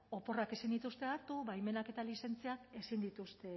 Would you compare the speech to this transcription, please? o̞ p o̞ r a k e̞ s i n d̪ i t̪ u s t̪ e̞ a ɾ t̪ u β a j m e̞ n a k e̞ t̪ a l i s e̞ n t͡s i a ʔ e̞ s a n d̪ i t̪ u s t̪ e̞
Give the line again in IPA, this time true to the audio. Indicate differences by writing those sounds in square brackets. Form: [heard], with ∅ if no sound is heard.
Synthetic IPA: o̞ p o̞ r a k e̞ s i n d̪ i t̪ u s t̪ e̞ a ɾ t̪ u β a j m e̞ n a k e̞ t̪ a l i s e̞ n t͡s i a [k] e̞ s [i] n d̪ i t̪ u s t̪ e̞